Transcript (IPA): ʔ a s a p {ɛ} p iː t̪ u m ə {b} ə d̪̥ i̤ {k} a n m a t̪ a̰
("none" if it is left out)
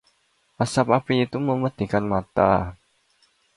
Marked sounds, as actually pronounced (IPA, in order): a, m, k

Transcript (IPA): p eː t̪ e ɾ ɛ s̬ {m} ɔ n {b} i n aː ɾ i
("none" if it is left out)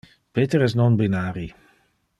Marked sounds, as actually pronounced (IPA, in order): n, b

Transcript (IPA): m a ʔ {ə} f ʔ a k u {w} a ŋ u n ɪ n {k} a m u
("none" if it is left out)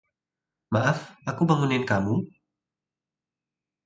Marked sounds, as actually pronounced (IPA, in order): a, b, k

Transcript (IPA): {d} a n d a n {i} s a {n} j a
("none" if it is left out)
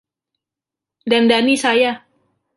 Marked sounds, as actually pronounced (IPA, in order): d, i, none

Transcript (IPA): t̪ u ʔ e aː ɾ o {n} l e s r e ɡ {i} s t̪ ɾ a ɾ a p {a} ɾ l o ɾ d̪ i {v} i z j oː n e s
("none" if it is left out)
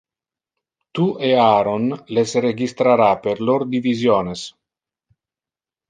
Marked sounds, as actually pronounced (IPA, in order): n, i, e, v

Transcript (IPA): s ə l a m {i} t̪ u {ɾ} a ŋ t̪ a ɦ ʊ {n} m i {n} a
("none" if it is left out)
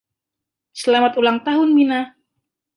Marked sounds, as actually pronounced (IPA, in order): a, l, n, n

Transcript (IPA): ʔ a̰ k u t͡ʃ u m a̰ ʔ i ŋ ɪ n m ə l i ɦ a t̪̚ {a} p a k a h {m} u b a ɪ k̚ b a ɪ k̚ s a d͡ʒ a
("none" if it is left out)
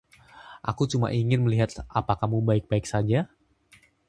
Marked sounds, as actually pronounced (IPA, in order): a, m

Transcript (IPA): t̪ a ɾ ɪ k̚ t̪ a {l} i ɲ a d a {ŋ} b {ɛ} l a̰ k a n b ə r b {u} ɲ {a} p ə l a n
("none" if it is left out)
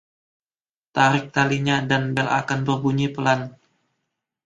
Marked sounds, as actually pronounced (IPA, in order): l, n, ɛ, u, i

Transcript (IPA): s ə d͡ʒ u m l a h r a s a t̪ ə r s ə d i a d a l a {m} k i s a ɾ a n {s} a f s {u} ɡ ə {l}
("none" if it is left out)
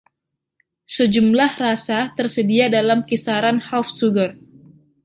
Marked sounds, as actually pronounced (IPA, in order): m, h, u, r

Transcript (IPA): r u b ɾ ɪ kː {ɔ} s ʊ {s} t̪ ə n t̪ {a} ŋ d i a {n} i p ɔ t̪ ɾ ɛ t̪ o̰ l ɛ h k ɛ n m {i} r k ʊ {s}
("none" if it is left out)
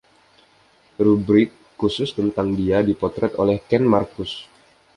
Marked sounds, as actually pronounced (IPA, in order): u, s, a, d, a, s

